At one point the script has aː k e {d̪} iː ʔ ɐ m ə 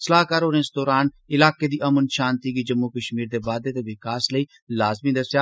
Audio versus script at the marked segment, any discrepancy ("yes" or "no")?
no